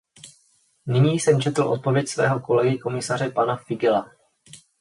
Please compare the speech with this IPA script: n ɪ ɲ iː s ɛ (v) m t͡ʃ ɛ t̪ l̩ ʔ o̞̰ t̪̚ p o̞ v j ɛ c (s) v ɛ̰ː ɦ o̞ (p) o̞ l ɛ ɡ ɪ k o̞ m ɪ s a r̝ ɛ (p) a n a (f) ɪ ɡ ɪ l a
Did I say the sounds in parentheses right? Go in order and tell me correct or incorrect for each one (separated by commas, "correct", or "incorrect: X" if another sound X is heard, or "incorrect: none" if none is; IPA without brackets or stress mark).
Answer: incorrect: none, correct, incorrect: k, correct, correct